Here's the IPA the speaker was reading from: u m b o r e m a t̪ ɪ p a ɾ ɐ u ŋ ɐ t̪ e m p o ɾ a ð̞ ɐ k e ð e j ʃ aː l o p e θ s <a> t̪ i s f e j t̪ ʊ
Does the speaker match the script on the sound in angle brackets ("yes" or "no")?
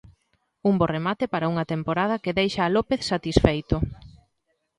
yes